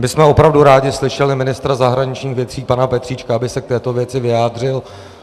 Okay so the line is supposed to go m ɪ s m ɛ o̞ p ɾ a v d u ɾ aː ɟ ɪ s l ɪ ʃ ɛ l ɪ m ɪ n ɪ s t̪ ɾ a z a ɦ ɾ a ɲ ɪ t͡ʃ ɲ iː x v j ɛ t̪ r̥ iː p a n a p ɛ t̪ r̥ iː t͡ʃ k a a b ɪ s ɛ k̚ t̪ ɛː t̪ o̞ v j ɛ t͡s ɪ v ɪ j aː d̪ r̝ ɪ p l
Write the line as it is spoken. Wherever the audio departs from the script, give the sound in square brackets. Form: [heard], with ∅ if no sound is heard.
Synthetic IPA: m ɪ s m ɛ o̞ p ɾ a v d u ɾ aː ɟ ɪ s l ɪ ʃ ɛ l ɪ m ɪ n ɪ s t̪ ɾ a z a ɦ ɾ a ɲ ɪ t͡ʃ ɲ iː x v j ɛ t̪ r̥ iː p a n a p ɛ t̪ r̥ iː t͡ʃ k a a b ɪ s ɛ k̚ t̪ ɛː t̪ o̞ v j ɛ t͡s ɪ v ɪ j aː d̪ r̝ ɪ [∅] l